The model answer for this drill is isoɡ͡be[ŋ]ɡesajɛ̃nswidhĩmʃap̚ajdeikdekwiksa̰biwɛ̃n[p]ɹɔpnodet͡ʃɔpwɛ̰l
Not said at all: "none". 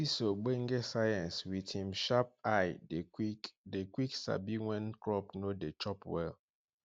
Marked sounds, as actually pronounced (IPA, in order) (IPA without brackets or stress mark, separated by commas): ŋ, k